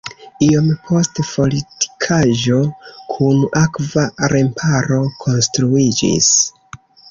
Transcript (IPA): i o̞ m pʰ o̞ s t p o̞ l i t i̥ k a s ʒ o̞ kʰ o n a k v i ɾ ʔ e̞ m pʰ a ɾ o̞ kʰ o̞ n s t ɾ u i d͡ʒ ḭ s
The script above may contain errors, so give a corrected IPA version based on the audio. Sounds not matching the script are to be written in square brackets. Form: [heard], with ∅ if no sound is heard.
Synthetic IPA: i o̞ m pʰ o̞ s t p o̞ l i t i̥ [kʰ] a [∅] ʒ o̞ kʰ [u] n a k v [a] ɾ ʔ e̞ m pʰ a ɾ o̞ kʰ o̞ n s t ɾ u i d͡ʒ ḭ s